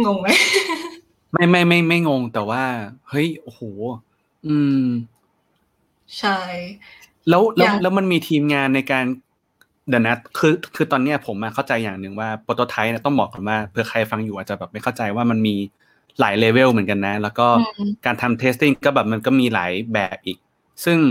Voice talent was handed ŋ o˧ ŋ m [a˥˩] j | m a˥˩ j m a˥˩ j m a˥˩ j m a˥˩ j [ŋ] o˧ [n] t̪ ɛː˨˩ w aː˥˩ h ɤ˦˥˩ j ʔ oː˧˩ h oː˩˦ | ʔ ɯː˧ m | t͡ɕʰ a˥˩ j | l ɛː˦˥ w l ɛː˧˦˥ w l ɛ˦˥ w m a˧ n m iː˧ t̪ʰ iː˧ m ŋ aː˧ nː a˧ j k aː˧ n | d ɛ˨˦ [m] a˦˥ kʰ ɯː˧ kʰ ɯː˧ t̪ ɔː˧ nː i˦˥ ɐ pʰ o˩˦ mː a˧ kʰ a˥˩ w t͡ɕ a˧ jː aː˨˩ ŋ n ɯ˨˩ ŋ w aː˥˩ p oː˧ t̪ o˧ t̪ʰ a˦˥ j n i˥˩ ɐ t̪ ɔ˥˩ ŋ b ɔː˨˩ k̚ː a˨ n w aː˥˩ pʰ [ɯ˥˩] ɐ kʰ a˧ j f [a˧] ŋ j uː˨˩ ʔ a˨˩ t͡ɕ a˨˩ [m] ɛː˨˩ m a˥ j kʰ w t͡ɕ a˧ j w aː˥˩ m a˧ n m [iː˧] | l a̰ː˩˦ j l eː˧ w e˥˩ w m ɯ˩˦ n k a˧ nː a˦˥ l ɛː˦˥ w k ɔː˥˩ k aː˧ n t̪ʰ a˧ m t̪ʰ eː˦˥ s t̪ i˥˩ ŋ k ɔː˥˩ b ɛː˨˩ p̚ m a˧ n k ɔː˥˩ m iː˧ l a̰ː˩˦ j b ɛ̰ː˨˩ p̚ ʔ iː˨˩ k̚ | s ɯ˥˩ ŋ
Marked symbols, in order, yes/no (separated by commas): no, yes, no, no, no, yes, no, yes